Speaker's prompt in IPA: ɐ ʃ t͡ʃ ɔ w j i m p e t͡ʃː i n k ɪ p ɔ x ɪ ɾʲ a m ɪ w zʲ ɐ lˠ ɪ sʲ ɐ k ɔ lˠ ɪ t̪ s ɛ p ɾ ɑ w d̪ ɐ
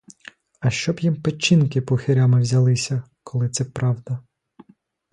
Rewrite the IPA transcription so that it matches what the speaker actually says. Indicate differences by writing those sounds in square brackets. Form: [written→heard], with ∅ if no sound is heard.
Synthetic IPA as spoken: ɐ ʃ t͡ʃ ɔ [w→b] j i m p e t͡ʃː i n k ɪ p ɔ x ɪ ɾʲ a m ɪ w zʲ ɐ lˠ ɪ sʲ ɐ k ɔ lˠ ɪ t̪ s ɛ p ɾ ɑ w d̪ ɐ